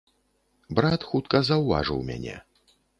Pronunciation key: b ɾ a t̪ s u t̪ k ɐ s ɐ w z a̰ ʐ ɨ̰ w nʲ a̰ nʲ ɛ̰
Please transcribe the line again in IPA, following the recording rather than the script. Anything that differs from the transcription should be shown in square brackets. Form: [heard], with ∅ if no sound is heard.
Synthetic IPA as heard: b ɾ a t̪ [x] u t̪ k ɐ [z] ɐ w [v] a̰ ʐ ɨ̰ w [mʲ] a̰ nʲ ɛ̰

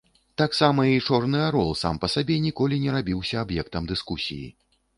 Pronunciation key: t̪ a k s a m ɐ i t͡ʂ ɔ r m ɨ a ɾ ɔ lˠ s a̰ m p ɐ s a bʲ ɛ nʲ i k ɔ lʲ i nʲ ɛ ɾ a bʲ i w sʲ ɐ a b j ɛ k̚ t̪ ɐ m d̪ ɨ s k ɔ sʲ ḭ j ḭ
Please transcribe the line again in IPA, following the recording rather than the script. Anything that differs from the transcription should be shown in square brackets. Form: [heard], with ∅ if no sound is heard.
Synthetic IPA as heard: t̪ a k s a m ɐ i t͡ʂ ɔ r [n] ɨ a ɾ ɔ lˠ s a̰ m p ɐ s a bʲ ɛ nʲ i k ɔ lʲ i nʲ ɛ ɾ a bʲ i w sʲ ɐ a b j ɛ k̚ t̪ ɐ m d̪ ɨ s k [u] sʲ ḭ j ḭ

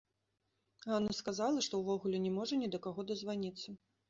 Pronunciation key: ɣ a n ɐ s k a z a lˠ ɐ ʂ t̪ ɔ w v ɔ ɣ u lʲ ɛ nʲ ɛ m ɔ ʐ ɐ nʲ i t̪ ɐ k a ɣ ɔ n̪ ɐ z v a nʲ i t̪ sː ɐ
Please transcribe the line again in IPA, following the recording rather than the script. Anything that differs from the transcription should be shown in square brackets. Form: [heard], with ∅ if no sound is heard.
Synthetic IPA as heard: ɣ a n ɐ s k a z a lˠ ɐ ʂ t̪ ɔ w v ɔ ɣ u lʲ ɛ nʲ ɛ m ɔ ʐ ɐ nʲ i [d̪] ɐ k a ɣ ɔ [d̪] ɐ z v a nʲ i t̪ sː ɐ

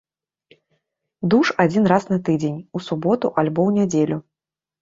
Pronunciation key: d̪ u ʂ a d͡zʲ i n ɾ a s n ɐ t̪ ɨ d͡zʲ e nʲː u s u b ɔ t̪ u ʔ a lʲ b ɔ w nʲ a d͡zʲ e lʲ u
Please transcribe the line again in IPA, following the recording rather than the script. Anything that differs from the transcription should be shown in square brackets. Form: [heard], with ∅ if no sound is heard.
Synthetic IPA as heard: d̪ u ʂ a d͡zʲ i n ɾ a s n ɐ t̪ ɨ d͡zʲ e [nʲ] u s u b ɔ t̪ u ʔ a lʲ b ɔ w nʲ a d͡zʲ e lʲ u

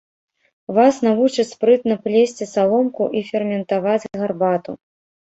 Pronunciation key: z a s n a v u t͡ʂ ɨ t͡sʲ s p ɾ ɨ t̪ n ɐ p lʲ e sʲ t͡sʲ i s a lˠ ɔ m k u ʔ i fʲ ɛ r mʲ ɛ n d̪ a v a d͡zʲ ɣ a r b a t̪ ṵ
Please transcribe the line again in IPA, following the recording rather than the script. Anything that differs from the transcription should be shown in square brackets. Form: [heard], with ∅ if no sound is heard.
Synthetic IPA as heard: [v] a s n a v u t͡ʂ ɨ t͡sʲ s p ɾ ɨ t̪ n ɐ p lʲ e sʲ t͡sʲ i s a lˠ ɔ m k u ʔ i fʲ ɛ r mʲ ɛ n [t̪] a v a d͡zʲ ɣ a r b a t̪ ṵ

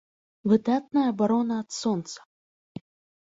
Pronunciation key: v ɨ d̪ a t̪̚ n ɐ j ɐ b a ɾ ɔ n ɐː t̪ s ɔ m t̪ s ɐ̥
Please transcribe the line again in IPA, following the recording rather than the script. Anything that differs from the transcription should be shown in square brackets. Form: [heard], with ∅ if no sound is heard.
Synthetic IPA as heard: v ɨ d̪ a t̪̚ n ɐ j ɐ b a ɾ ɔ n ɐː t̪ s ɔ [n] t̪ s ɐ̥

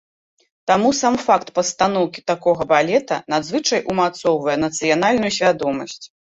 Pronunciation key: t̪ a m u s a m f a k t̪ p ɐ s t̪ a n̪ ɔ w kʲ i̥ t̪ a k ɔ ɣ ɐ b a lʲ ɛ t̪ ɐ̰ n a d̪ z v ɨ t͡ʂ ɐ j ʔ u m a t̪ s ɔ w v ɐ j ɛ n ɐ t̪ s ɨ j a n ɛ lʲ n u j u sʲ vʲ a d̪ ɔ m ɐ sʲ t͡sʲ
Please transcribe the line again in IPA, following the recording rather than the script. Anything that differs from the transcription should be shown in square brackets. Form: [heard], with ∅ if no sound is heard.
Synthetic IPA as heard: t̪ a m u s a m f a k t̪ p ɐ s t̪ a n̪ ɔ w kʲ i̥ t̪ a k ɔ ɣ ɐ b a lʲ ɛ t̪ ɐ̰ n a d̪ z v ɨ t͡ʂ ɐ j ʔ u m a t̪ s ɔ w v ɐ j ɛ n ɐ t̪ s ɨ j a n [a] lʲ n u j u sʲ vʲ a d̪ ɔ m ɐ sʲ t͡sʲ

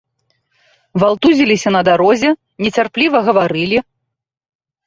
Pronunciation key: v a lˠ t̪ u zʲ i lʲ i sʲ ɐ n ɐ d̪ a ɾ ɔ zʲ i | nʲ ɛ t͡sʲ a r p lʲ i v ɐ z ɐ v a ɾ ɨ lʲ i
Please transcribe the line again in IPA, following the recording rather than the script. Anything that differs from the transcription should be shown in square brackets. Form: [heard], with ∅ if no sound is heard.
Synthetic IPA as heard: v a lˠ t̪ u zʲ i lʲ i sʲ ɐ n ɐ d̪ a ɾ ɔ zʲ [ɛ] | nʲ ɛ t͡sʲ a r p lʲ i v ɐ [ɣ] ɐ v a ɾ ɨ lʲ i

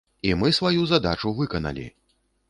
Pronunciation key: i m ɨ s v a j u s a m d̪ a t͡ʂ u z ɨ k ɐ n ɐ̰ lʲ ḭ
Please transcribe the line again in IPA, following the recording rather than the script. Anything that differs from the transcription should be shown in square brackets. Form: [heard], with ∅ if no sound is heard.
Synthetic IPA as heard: i m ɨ s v a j u [z] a [∅] d̪ a t͡ʂ u [v] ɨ k ɐ n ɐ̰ lʲ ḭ

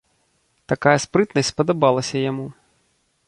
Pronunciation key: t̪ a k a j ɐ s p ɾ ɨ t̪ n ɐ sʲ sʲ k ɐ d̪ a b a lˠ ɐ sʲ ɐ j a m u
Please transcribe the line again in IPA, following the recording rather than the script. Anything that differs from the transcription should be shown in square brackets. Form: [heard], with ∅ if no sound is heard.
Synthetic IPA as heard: t̪ a k a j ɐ s p ɾ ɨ t̪ n ɐ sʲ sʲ [p] ɐ d̪ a b a lˠ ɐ sʲ ɐ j a m u

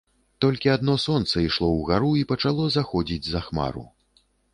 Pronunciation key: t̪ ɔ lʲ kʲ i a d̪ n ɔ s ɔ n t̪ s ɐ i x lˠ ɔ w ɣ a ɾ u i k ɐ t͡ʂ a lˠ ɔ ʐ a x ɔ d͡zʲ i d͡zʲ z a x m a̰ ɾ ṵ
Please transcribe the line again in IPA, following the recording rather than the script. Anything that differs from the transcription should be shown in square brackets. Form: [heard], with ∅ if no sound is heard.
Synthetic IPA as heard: t̪ ɔ lʲ kʲ i a d̪ n ɔ s ɔ n t̪ s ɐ i [ʂ] lˠ ɔ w ɣ a ɾ u i [p] ɐ t͡ʂ a lˠ ɔ [z] a x ɔ d͡zʲ i d͡zʲ z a x m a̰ ɾ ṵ

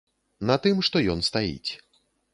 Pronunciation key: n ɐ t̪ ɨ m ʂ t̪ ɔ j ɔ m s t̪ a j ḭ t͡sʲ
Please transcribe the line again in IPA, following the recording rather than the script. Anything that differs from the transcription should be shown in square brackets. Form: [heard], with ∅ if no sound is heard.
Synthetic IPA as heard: n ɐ t̪ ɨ m ʂ t̪ ɔ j ɔ [n] s t̪ a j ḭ t͡sʲ

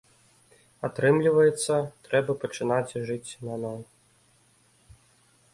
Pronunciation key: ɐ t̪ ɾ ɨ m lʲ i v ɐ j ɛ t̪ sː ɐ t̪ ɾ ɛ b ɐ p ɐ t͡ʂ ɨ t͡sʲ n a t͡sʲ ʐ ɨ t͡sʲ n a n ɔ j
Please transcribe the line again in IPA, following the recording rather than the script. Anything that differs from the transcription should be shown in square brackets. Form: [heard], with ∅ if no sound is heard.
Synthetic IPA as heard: [a] t̪ ɾ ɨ m lʲ i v ɐ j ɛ t̪ sː ɐ t̪ ɾ ɛ b ɐ p ɐ t͡ʂ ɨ [∅] n a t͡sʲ ʐ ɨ t͡sʲ n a n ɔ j

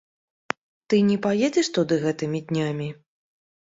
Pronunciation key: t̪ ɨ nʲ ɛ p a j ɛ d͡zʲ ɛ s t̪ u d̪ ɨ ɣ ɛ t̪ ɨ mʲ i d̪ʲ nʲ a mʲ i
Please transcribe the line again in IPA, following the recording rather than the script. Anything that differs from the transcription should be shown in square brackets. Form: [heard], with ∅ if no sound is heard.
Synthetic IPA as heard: t̪ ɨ nʲ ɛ p a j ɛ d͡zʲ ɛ [ʂ] t̪ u d̪ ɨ ɣ ɛ t̪ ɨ mʲ i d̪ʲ nʲ a mʲ i

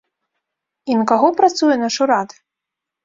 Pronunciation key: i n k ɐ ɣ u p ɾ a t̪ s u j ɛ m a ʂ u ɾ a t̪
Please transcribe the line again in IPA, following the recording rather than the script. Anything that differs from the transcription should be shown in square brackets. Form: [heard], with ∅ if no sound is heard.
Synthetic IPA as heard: i n k [a] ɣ [ɔ] p ɾ a t̪ s u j ɛ [n] a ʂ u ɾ a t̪

